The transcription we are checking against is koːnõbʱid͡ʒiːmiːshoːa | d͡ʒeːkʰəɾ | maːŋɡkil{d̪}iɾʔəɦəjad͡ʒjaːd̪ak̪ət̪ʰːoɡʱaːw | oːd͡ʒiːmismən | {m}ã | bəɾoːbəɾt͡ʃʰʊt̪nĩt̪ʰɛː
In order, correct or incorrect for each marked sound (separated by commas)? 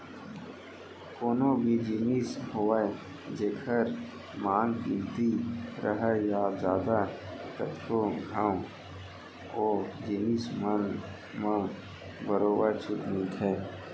incorrect, correct